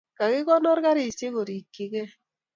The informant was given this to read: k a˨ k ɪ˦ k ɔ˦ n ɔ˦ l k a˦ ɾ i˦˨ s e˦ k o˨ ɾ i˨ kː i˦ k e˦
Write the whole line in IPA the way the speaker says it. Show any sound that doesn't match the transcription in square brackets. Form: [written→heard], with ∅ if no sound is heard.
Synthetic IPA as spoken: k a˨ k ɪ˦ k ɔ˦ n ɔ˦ [l→ɾ] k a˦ ɾ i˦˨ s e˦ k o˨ ɾ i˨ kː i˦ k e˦